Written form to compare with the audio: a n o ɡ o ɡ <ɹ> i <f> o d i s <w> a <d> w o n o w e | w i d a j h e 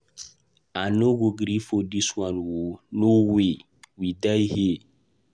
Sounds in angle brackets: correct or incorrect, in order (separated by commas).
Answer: incorrect, correct, correct, incorrect